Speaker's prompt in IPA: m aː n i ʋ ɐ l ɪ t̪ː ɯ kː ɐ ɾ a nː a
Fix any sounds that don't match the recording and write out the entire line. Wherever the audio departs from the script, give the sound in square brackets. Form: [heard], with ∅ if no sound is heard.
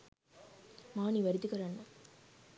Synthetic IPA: m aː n i ʋ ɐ [ɾ] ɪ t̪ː ɯ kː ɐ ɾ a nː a